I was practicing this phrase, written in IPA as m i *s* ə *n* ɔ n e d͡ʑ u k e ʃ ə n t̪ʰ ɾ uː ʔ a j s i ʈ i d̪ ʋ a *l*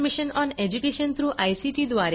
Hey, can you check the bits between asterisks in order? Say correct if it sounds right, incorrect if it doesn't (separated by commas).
incorrect, correct, incorrect